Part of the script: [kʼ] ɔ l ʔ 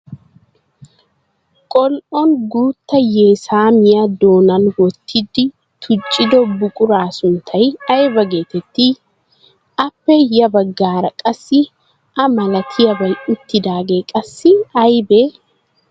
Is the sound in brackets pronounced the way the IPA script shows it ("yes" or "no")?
yes